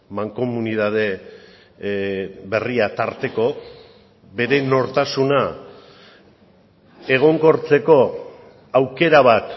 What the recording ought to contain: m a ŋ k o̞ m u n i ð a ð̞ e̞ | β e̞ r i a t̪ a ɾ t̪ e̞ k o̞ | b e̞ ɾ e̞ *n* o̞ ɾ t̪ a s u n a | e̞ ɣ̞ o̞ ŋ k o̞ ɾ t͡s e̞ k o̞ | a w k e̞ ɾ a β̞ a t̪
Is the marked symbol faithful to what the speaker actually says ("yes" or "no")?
yes